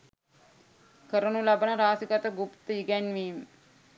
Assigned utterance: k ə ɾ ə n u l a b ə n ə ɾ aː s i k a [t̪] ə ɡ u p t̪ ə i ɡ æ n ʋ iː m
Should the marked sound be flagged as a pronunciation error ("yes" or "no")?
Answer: no